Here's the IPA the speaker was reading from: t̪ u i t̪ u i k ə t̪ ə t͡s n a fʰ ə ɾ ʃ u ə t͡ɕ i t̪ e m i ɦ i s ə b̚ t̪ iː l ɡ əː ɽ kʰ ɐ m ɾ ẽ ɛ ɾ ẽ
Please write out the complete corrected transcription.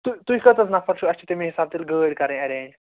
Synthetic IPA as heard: t̪ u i t̪ u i k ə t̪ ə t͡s n a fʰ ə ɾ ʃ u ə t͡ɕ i t̪ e m i ɦ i s a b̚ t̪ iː l ɡ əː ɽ k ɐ ɾ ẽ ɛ ɾ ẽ